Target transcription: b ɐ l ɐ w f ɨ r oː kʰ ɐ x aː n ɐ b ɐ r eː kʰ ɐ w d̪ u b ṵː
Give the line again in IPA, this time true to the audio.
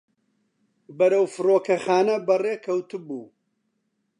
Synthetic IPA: b ɐ ɾ ɐ w f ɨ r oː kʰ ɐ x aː n ɐ b ɐ r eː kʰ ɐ w t̪ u b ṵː